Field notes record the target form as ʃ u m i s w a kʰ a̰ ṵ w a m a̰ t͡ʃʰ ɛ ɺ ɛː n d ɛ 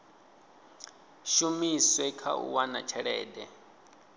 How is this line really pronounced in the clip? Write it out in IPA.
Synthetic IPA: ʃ u m i s w ɛ kʰ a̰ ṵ w a n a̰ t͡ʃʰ ɛ ɺ ɛː d ɛ

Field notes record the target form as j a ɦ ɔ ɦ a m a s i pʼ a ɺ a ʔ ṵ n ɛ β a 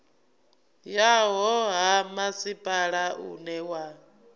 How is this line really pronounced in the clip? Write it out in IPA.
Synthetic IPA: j a ɦ ɔ ɦ a m a s i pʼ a ɺ a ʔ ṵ n ɛ w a

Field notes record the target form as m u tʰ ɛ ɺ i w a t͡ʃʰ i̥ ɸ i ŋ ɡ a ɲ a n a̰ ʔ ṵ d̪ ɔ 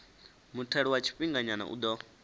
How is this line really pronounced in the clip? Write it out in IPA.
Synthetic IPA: m u tʰ ɛ ɺ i w a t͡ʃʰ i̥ ɸ i ŋ ɡ a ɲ a n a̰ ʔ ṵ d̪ ɔ

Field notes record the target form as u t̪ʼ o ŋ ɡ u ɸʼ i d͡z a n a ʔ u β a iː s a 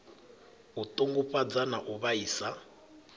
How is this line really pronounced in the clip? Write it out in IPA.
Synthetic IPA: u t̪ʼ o ŋ ɡ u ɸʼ a d͡z a n a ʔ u β a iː s a

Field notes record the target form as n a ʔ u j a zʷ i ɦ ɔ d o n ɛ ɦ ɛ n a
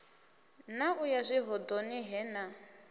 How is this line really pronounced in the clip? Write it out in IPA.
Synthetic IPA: n a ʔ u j a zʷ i ɦ ɔ d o n i ɦ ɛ n a

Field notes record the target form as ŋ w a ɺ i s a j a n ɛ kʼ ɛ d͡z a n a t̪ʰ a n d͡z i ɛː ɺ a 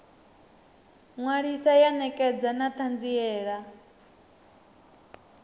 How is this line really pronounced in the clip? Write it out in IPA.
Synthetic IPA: ŋ w a ɺ i s a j a n ɛ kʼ ɛ d͡z a n a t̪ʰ a n d͡z i ɛː ɺ a

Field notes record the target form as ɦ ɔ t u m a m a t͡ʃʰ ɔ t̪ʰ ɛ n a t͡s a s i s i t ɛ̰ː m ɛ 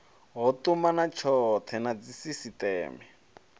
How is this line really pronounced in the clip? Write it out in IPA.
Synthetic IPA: ɦ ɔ t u m a n a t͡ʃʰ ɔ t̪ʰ ɛ n a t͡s i s i s i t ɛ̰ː m ɛ

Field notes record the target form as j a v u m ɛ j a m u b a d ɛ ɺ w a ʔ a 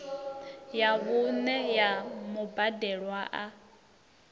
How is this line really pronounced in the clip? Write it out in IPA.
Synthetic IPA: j a β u n ɛ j a m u b a d ɛ ɺ w a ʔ a

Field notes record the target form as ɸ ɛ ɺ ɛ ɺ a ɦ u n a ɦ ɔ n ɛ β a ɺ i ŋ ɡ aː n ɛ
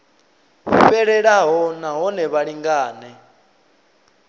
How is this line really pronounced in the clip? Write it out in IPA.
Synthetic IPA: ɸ ɛ ɺ ɛ ɺ a ɦ ɔ n a ɦ ɔ n ɛ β a ɺ i ŋ ɡ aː n ɛ

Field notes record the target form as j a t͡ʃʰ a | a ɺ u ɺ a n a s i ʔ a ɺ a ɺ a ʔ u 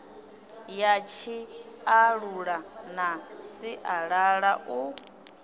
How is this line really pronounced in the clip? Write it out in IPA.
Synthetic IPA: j a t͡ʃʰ i | a ɺ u ɺ a n a s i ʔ a ɺ a ɺ a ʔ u

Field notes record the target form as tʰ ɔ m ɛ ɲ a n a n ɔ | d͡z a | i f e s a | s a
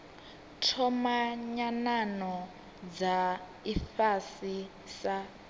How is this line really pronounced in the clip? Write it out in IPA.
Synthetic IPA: tʰ ɔ m a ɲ a n a n ɔ | d͡z a | i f a s i | s a

